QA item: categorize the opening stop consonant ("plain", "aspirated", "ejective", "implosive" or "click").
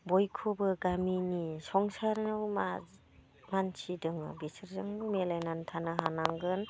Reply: plain